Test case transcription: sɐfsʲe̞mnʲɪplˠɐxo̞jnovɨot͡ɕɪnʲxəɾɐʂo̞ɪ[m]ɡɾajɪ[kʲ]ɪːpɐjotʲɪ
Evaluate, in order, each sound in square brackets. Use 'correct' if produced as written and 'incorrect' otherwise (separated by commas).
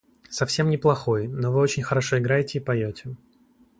incorrect, incorrect